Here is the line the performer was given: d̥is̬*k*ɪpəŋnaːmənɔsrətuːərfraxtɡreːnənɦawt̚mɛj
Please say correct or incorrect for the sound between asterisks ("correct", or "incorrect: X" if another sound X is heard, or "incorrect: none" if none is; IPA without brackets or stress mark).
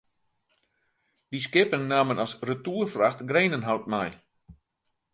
correct